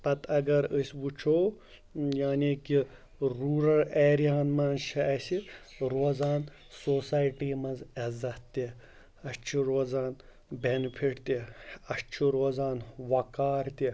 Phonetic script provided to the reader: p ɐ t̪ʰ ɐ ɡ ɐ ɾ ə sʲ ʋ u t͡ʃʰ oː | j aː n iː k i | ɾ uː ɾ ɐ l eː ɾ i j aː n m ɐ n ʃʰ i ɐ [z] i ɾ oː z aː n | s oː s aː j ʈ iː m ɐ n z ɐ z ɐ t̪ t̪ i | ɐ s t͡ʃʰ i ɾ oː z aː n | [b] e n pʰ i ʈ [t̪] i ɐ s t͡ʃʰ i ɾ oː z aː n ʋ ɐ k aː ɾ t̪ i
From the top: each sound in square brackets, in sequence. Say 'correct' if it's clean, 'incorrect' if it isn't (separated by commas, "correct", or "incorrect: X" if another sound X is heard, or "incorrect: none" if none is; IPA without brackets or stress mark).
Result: incorrect: s, correct, correct